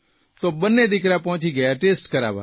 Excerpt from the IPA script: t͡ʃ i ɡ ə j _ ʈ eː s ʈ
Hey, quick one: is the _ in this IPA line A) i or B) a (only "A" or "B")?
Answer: B